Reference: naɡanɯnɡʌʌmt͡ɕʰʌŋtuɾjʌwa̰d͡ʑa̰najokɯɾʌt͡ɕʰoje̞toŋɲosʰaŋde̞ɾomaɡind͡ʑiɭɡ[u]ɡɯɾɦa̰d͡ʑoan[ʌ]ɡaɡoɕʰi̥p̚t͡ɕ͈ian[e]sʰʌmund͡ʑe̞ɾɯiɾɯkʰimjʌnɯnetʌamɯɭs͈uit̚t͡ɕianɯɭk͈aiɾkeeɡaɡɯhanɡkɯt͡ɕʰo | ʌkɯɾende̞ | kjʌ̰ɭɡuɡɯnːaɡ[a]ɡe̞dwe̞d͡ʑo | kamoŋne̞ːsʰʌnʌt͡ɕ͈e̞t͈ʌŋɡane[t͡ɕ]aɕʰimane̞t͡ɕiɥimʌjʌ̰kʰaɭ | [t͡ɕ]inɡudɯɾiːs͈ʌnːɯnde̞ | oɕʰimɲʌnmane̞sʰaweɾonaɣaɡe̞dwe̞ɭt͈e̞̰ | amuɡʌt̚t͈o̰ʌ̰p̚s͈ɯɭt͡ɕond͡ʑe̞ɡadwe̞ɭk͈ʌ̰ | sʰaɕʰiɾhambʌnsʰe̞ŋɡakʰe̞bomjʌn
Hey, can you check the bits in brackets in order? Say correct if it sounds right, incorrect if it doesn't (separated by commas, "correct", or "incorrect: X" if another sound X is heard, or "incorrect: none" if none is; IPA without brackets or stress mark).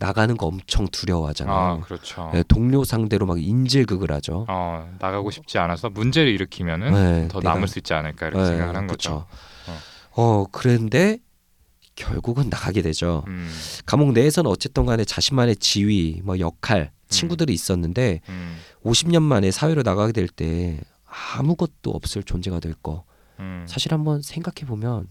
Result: incorrect: ɯ, incorrect: a, incorrect: a, correct, correct, incorrect: t͡ɕʰ